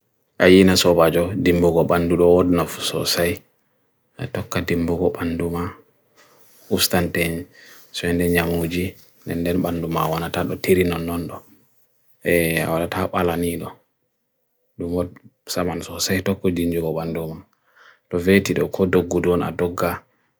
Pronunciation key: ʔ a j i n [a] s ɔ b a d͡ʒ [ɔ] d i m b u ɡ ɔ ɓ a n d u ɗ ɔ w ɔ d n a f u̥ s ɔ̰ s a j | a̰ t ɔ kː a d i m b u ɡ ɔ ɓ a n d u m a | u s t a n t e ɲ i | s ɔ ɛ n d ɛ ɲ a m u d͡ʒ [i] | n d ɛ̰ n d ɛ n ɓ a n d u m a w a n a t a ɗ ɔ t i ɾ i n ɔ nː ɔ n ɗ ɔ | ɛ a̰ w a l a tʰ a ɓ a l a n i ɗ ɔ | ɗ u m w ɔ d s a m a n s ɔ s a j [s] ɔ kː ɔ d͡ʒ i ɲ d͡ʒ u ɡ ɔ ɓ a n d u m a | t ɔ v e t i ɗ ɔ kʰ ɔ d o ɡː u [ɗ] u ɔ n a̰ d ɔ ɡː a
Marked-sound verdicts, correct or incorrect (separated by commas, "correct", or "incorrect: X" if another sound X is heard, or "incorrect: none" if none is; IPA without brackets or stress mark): correct, correct, correct, incorrect: t, incorrect: d